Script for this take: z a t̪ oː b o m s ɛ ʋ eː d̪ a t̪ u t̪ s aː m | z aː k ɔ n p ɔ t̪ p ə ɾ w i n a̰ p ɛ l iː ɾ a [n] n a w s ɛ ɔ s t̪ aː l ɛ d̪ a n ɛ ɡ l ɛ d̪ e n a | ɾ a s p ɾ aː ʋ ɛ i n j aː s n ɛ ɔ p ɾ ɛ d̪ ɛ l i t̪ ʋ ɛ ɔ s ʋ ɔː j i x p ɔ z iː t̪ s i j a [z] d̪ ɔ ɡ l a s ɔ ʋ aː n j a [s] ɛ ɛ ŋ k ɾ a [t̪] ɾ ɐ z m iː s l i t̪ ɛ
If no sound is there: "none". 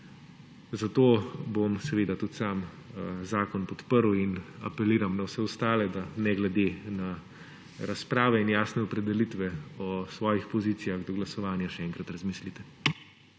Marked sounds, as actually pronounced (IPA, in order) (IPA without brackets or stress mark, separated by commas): m, ɣ, ʃ, t̪